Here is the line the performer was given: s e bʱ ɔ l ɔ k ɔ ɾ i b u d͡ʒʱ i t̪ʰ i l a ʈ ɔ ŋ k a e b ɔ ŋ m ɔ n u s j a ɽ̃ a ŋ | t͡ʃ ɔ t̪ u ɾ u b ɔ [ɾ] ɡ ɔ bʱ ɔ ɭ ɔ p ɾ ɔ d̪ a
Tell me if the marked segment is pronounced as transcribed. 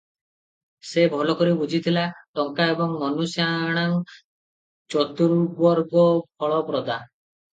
yes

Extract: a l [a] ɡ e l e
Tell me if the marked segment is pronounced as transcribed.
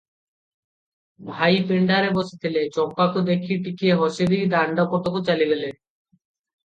no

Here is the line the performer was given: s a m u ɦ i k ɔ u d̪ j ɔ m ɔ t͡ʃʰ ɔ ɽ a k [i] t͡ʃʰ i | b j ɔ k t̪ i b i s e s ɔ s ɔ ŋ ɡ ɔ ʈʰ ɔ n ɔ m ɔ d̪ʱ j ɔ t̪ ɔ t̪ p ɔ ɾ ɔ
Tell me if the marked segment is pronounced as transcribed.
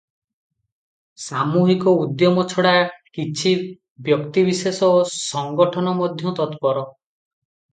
yes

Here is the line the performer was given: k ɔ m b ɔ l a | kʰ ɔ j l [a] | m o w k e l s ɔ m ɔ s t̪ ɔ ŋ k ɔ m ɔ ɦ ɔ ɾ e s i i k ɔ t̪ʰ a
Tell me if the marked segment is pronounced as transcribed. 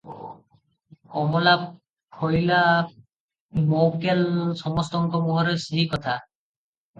yes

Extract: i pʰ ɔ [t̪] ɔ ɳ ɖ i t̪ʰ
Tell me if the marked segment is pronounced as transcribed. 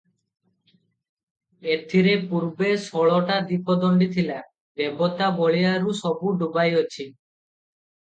no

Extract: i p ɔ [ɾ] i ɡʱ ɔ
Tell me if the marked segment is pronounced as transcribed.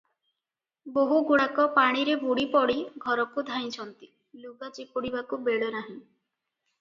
no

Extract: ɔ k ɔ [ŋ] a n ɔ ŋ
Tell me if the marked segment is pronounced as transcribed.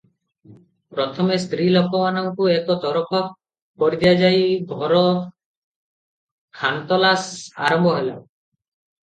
no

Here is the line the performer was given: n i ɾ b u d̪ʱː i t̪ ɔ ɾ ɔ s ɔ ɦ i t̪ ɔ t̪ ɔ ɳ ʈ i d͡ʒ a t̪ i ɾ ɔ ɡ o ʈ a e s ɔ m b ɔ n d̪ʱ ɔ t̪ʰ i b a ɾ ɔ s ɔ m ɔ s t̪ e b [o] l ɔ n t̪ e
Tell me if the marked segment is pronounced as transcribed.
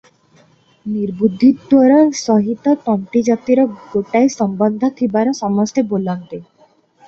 yes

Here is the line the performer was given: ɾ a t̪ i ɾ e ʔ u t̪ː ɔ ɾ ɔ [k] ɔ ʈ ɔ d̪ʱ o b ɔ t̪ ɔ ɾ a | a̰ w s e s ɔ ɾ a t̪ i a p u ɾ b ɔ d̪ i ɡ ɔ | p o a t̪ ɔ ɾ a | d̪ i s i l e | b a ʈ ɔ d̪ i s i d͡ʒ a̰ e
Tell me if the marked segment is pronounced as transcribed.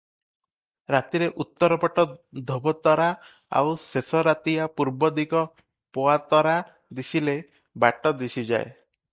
no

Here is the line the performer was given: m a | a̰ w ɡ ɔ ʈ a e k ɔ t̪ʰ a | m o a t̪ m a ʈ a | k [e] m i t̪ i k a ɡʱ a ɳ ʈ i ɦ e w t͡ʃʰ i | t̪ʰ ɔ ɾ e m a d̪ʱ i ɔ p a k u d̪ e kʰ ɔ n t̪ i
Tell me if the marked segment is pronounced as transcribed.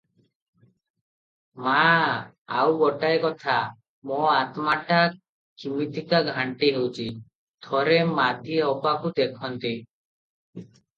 no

